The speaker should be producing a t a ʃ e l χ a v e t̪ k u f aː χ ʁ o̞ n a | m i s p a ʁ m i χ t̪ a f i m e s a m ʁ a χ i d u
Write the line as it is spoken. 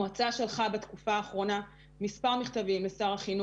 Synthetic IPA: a t͡s a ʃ e l χ a b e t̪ k u f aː χ ʁ o̞ n a | m i s p a ʁ m i χ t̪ a v i m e s a ʁ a χ i n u